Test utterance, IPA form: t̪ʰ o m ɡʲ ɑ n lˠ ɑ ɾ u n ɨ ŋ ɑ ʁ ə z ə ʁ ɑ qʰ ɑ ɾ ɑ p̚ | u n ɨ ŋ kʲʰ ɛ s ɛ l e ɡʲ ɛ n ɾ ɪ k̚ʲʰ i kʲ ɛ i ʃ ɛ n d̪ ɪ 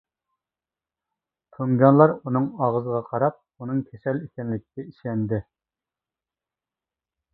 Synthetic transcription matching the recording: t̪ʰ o ŋ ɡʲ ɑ n lˠ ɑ ɾ u n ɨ ŋ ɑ ʁ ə z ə ʁ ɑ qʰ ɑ ɾ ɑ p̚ | u n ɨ ŋ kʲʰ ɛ s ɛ l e kʲ ɛ n l ɪ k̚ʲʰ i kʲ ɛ i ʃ ɛ n d̪ ɪ